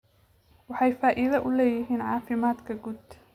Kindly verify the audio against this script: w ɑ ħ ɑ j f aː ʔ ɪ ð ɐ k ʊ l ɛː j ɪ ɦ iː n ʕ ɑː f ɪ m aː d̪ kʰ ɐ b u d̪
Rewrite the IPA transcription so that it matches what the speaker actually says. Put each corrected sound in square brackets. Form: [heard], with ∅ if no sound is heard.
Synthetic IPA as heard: w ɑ ħ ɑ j f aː ʔ ɪ ð ɐ [ʔ] ʊ l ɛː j ɪ ɦ iː n ʕ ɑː f ɪ m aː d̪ kʰ ɐ [ɡ] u d̪